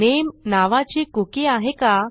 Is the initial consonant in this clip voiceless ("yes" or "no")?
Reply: no